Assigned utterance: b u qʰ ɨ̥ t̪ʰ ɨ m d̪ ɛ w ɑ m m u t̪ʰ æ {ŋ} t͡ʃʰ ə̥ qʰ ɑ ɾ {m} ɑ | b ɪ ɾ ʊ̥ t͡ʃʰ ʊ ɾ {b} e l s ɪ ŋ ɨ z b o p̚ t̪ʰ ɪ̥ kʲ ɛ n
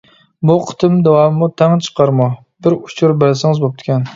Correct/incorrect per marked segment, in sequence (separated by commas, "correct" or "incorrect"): correct, correct, correct